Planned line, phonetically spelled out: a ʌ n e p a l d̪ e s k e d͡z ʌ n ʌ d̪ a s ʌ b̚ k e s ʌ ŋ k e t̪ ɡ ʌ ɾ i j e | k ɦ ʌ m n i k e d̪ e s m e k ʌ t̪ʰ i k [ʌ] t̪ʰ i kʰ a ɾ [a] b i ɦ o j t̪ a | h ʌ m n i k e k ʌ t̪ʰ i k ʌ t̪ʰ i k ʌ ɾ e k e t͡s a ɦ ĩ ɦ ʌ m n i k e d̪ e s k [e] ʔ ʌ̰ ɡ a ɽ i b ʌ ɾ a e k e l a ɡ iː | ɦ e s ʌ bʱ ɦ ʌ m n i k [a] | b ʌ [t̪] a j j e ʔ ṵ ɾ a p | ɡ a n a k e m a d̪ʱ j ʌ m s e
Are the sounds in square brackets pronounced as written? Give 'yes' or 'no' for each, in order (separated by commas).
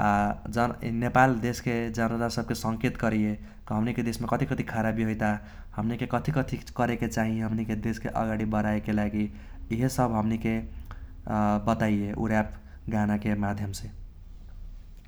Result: yes, yes, yes, no, yes